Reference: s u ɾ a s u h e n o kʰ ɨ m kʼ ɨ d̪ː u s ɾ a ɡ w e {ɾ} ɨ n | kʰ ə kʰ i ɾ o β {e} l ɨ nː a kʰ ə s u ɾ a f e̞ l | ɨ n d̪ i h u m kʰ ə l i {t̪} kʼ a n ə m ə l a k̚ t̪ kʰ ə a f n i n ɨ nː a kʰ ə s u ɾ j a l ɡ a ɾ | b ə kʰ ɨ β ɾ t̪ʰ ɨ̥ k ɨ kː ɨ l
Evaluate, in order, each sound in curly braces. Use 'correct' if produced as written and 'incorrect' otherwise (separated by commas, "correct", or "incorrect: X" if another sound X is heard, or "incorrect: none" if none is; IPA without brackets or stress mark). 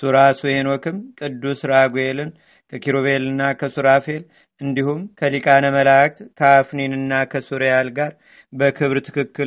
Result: incorrect: l, correct, incorrect: none